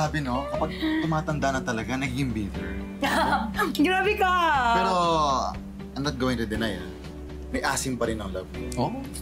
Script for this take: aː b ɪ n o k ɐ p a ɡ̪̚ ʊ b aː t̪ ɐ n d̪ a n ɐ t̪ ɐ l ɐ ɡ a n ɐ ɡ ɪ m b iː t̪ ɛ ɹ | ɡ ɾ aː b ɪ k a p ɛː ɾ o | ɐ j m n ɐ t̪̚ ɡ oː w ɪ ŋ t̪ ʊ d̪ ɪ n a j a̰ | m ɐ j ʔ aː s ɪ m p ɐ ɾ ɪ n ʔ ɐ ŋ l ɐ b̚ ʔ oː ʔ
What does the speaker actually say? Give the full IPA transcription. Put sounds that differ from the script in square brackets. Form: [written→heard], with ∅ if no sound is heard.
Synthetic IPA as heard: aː b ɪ n o k ɐ p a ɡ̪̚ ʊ [b→m] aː t̪ ɐ n d̪ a n ɐ t̪ ɐ l ɐ ɡ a n ɐ ɡ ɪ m b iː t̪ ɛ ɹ | ɡ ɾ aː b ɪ k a p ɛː ɾ o | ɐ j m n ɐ t̪̚ ɡ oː w ɪ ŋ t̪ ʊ d̪ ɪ n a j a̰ | m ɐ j ʔ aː s ɪ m p ɐ ɾ ɪ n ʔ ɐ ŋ l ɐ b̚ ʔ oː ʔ